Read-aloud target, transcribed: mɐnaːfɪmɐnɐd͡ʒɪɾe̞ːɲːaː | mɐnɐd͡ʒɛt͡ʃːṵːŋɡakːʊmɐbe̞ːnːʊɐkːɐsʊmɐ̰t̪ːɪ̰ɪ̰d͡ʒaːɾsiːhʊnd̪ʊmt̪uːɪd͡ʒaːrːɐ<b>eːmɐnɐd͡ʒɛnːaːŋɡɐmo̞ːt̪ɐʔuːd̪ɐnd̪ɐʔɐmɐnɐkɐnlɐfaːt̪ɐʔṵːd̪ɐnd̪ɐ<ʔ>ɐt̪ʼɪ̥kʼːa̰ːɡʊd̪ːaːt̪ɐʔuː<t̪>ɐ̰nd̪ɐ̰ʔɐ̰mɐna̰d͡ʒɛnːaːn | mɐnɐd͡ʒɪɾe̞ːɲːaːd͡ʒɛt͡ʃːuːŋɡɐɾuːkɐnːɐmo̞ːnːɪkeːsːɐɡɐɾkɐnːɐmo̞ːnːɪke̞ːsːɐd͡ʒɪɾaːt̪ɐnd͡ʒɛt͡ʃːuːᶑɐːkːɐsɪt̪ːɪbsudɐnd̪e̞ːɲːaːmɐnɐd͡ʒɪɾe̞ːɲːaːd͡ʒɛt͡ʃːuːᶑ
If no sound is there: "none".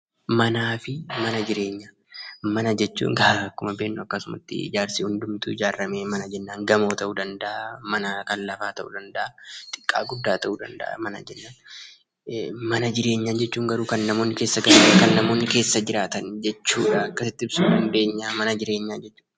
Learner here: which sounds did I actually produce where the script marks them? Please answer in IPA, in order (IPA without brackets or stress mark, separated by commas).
m, ʔ, d̪